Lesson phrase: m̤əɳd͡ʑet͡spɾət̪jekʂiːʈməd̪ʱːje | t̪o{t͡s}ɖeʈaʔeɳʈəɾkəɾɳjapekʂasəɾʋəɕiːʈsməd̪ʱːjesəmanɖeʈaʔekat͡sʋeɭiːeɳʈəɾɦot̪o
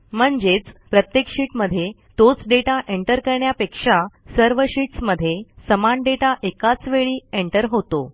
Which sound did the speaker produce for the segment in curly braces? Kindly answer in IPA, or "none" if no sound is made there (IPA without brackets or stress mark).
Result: t͡s